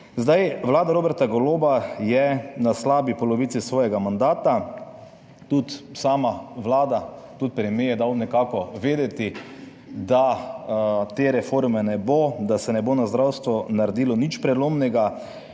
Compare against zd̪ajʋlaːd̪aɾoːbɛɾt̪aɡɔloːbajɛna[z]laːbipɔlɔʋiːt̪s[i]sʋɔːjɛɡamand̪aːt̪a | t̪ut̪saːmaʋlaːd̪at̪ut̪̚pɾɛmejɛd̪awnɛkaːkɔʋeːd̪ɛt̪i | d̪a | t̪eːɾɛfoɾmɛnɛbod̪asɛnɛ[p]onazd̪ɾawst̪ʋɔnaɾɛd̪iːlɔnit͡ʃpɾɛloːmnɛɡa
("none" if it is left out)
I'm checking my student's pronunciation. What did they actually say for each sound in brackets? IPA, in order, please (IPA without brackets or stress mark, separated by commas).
s, i, b